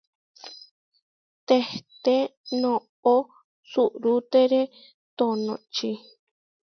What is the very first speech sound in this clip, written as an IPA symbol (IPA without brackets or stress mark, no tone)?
t̪